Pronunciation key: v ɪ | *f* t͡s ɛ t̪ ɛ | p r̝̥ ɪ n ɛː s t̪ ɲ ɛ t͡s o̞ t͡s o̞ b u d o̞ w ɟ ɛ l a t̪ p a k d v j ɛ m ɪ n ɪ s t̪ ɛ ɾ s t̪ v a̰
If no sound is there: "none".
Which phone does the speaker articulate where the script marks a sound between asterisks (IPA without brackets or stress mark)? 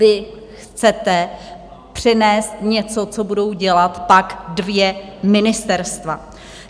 x